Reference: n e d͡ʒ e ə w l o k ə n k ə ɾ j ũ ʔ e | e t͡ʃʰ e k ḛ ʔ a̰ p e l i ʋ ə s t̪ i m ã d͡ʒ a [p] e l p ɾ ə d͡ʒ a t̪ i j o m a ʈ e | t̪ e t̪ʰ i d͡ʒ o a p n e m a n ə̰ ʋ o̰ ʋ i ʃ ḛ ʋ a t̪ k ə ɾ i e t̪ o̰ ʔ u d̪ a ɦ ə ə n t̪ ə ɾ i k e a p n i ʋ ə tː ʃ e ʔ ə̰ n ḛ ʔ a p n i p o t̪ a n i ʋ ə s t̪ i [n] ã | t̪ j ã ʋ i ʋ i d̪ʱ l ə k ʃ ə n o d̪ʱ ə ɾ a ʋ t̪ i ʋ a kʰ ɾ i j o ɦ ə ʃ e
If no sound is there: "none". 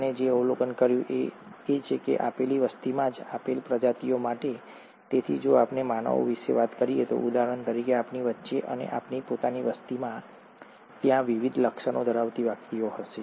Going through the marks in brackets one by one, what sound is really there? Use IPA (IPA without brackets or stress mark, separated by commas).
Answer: p, m